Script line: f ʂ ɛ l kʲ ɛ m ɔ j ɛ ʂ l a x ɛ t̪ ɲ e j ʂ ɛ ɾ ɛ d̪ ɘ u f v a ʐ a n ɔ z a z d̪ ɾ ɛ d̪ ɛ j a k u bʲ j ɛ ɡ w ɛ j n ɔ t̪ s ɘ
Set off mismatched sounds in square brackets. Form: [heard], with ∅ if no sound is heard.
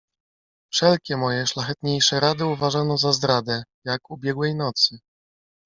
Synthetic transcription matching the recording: f ʂ ɛ l kʲ ɛ m ɔ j ɛ ʂ l a x ɛ t̪ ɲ e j ʂ ɛ ɾ [a] d̪ ɘ u [∅] v a ʐ a n ɔ z a z d̪ ɾ [a] d̪ ɛ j a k u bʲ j ɛ ɡ w ɛ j n ɔ t̪ s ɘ